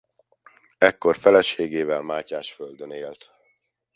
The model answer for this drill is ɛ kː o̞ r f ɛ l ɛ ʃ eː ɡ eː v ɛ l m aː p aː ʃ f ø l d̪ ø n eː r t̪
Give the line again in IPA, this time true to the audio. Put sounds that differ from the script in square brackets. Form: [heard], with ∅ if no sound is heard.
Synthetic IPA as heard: ɛ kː o̞ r f ɛ l ɛ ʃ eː ɡ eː v ɛ l m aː [c] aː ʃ f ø l d̪ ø n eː [l] t̪